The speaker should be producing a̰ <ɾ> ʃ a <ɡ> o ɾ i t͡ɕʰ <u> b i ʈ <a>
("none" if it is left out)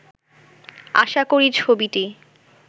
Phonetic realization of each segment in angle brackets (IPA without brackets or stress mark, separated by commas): none, k, o, i